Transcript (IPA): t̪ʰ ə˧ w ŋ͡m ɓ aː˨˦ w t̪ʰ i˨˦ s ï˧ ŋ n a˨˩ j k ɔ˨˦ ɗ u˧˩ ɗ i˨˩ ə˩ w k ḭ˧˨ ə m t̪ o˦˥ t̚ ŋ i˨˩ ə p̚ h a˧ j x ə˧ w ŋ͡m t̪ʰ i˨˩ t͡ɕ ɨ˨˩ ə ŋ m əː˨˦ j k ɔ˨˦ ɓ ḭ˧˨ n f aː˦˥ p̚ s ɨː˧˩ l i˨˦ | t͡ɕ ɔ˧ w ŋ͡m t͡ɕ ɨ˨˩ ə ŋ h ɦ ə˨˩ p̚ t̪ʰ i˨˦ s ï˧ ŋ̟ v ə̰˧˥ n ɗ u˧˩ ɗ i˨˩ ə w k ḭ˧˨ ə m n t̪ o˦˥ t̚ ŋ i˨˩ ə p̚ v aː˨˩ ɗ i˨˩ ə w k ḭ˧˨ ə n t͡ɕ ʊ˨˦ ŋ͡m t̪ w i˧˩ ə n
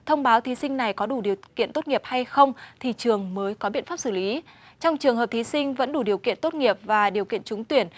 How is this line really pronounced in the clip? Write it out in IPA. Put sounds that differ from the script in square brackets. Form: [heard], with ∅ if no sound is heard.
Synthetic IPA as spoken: t̪ʰ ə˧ w ŋ͡m ɓ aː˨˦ w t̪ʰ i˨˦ s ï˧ ŋ n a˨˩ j k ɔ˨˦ ɗ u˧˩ ɗ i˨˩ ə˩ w k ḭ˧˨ ə [n] t̪ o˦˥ t̚ ŋ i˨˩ ə p̚ h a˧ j x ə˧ w ŋ͡m t̪ʰ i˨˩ t͡ɕ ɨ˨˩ ə ŋ m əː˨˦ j k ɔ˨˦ ɓ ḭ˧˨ n f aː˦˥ p̚ s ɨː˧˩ l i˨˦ | t͡ɕ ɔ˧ w ŋ͡m t͡ɕ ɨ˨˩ ə ŋ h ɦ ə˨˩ p̚ t̪ʰ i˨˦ s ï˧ ŋ̟ v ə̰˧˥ n ɗ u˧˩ ɗ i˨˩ ə w k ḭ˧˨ ə [∅] n t̪ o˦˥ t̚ ŋ i˨˩ ə p̚ v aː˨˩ ɗ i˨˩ ə w k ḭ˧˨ ə n t͡ɕ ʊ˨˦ ŋ͡m t̪ w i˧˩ ə n